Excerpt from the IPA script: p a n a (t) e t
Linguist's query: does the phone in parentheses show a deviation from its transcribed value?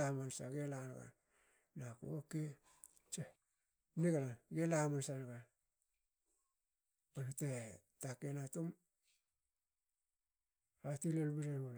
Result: no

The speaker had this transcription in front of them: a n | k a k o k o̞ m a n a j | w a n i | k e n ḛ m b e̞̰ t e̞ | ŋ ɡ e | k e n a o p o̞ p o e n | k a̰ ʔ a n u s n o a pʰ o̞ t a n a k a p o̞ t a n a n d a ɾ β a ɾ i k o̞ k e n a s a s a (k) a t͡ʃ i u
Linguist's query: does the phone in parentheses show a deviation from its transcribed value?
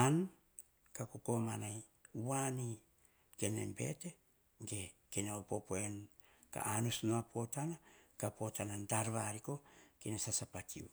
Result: yes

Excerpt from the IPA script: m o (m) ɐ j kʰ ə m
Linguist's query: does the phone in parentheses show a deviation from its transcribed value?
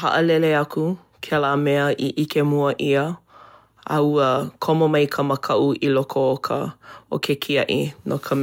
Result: no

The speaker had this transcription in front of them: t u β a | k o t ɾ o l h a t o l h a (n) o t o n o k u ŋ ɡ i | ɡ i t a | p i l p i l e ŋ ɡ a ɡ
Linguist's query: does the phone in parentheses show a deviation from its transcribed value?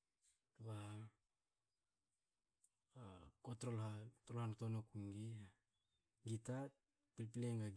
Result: no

